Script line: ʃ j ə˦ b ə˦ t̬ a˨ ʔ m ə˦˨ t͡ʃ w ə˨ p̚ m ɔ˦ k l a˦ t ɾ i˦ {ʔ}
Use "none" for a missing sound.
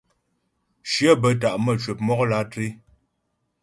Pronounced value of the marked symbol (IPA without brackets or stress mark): none